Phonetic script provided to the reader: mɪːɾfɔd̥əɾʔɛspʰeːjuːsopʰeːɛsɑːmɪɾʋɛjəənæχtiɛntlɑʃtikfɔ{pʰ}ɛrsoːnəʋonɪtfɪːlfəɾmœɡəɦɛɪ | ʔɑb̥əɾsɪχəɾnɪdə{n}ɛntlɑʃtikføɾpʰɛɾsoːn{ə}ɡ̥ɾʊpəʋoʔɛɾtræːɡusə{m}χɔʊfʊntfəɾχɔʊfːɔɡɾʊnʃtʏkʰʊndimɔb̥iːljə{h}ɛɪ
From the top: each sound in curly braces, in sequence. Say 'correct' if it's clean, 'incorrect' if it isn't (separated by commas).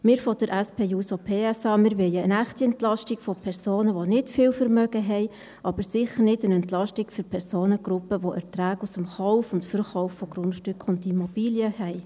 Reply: correct, correct, correct, correct, correct